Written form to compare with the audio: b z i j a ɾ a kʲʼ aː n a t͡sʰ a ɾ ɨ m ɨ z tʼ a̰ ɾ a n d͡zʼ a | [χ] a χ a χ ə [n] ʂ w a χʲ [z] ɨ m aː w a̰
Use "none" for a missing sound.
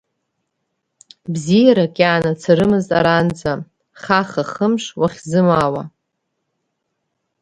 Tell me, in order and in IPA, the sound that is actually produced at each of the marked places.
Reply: χ, m, z

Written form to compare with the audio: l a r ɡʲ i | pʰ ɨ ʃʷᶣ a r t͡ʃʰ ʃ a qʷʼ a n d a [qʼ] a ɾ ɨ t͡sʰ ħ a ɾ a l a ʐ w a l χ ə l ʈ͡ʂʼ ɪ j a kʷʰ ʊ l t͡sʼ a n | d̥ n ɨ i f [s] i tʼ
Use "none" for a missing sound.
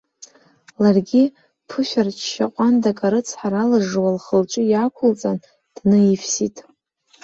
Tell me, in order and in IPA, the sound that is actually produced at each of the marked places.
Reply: kʼ, s

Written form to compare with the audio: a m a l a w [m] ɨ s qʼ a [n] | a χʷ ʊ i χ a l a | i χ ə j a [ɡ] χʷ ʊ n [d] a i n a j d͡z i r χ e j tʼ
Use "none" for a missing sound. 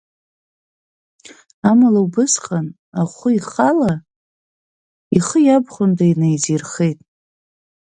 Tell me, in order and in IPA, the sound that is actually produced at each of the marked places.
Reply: b, n, b, d

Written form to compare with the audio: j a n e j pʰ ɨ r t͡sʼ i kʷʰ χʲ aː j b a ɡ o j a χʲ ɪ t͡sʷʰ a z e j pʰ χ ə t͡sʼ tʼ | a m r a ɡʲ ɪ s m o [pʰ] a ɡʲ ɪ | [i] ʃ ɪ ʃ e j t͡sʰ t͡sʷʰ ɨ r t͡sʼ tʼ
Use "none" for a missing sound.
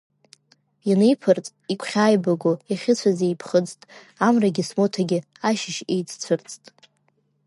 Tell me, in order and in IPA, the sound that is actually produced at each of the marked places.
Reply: tʰ, a

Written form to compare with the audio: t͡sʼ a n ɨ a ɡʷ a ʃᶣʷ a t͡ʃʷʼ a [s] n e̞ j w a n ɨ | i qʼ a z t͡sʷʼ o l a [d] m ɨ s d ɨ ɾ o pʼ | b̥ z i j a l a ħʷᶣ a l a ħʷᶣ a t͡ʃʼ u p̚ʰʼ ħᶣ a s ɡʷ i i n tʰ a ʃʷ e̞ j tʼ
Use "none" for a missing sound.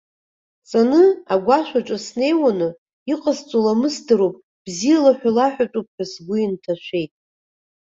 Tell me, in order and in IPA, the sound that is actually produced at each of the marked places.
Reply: s, none

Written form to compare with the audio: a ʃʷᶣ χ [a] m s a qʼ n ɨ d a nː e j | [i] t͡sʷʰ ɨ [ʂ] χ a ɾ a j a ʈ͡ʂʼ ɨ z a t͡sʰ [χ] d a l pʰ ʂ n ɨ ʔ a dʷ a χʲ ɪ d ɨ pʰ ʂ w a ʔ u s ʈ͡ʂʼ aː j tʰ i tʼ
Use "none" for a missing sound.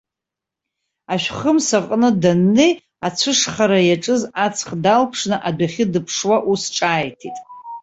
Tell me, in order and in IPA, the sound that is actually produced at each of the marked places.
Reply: ə, a, ʂ, χ

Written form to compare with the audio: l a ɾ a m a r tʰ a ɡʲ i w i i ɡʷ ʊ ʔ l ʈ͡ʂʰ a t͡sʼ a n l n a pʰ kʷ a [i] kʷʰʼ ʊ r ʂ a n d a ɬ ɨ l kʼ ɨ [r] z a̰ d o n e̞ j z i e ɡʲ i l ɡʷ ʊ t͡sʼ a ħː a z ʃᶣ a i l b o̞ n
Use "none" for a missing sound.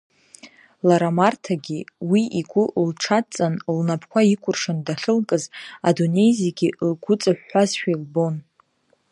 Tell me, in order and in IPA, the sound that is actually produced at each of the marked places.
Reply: i, none

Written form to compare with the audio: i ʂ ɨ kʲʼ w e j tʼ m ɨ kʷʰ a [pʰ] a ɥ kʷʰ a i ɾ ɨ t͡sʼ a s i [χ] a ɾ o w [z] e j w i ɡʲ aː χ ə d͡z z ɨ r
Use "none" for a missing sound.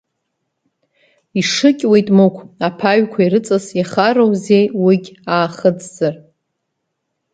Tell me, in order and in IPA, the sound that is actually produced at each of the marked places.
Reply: pʰ, χ, z

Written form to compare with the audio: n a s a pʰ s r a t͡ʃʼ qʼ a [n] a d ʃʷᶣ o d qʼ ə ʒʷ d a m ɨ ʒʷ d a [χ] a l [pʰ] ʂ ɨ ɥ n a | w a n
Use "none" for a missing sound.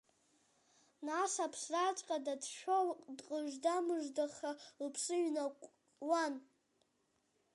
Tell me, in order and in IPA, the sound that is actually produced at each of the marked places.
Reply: d, χ, pʰ

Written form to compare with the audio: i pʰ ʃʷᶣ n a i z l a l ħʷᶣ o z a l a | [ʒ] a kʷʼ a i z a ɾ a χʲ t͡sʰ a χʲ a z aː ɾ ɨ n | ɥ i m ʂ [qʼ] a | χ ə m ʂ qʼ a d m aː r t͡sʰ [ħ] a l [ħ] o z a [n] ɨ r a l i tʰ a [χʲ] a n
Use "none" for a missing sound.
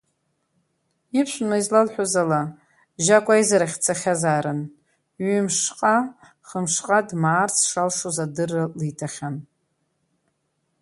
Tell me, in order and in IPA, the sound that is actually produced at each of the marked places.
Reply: ʒ, qʼ, ʂ, ʂ, d, χʲ

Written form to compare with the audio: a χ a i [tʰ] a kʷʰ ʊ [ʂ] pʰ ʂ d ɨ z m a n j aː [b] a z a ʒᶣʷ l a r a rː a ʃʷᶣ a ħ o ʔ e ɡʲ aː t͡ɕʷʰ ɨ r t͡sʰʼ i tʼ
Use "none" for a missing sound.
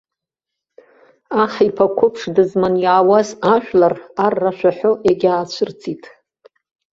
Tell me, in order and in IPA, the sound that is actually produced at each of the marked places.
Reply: pʰ, none, w

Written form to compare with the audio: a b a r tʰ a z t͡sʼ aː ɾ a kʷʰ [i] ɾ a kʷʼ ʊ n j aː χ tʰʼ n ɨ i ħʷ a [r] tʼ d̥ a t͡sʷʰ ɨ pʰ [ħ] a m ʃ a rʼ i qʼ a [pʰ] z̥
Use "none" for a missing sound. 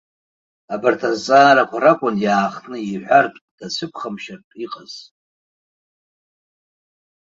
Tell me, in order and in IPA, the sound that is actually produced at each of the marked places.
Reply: a, r, χ, none

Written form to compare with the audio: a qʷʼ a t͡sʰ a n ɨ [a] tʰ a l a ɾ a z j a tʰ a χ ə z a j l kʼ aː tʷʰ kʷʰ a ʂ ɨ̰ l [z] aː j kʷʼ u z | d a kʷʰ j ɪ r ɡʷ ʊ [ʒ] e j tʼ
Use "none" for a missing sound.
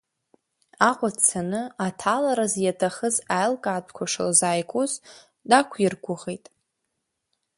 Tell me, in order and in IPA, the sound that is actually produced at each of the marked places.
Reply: a, z, ʁ

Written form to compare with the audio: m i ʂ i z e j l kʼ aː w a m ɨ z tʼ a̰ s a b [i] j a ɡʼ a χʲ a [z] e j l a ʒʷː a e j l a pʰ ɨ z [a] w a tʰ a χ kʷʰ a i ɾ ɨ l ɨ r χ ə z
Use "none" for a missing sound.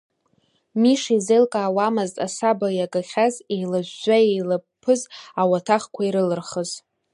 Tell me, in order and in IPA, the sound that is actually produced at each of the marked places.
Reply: a, z, a

